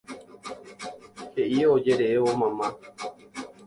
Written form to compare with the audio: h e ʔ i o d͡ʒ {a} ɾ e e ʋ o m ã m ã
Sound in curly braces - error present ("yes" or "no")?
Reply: yes